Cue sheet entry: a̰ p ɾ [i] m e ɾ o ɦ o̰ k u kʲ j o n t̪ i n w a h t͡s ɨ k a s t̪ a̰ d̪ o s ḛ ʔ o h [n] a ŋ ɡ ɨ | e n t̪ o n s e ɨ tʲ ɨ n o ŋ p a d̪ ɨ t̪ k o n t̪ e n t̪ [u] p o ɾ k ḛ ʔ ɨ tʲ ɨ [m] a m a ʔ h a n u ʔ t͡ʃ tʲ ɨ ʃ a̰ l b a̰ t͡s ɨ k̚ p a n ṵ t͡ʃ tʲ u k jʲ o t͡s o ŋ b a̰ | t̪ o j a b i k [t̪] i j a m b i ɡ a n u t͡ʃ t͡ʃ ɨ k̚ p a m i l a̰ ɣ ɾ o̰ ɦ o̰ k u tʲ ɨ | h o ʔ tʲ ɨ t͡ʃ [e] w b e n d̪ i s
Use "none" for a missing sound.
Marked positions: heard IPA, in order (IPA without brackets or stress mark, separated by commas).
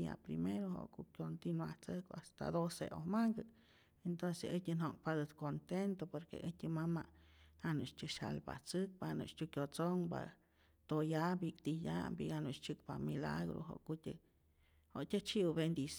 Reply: i, m, o, m, t̪, i